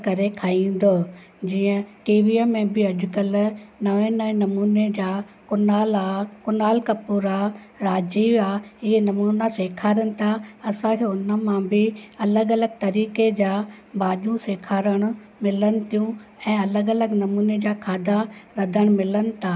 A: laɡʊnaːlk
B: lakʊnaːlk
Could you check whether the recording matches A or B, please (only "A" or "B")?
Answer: B